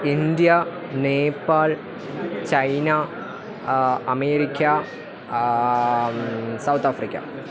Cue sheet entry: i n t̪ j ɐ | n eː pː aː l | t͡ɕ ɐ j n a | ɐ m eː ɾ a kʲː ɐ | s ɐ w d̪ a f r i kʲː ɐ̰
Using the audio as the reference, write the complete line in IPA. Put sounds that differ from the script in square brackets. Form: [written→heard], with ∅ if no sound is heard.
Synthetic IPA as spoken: i n [t̪→d̪] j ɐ | n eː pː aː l | t͡ɕ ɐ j n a | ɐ m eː ɾ [a→i] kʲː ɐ | s ɐ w [d̪→t̪] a f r i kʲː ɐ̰